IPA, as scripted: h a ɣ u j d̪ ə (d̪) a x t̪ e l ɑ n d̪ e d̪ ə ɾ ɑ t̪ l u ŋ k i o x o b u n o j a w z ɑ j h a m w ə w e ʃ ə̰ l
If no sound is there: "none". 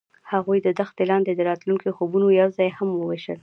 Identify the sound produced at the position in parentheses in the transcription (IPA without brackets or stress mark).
d̪